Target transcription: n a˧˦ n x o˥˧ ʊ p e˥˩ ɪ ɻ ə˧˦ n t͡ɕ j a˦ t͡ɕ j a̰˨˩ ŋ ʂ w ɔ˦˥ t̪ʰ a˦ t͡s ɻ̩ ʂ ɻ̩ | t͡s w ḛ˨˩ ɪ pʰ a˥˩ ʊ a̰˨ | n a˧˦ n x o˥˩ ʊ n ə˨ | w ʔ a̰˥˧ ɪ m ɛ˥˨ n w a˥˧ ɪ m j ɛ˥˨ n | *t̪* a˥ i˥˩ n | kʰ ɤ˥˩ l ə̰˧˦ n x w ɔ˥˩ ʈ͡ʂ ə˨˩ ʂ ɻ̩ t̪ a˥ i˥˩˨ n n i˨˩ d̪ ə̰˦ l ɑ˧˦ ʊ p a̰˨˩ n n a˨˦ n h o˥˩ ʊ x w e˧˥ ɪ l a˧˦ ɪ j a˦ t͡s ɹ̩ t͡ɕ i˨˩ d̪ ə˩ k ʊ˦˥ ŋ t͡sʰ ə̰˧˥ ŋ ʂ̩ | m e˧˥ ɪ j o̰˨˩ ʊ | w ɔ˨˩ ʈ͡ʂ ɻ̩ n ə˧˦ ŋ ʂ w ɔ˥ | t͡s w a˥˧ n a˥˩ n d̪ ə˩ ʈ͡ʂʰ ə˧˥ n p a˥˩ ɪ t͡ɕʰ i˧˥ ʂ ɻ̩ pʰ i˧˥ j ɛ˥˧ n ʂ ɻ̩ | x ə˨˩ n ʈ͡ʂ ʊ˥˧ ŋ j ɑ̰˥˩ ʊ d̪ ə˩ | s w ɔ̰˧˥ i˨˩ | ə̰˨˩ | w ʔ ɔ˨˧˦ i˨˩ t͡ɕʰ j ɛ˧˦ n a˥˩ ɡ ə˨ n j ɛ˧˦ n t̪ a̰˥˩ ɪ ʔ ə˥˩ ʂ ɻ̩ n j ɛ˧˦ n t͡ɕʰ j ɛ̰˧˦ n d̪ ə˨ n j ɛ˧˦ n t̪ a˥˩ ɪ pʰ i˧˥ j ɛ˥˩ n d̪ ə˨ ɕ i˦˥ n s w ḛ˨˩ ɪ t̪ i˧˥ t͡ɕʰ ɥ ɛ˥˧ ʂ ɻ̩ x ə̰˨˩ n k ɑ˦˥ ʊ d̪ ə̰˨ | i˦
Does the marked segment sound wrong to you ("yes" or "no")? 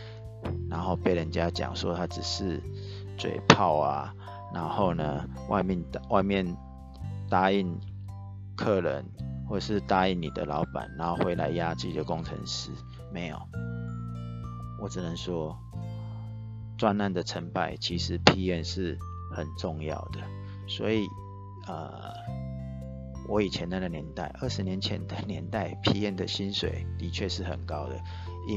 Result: no